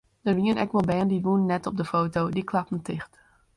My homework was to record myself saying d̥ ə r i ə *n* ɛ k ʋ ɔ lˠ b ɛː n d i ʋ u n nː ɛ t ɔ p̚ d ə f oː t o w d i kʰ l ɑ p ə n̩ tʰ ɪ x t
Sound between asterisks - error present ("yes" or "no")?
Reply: no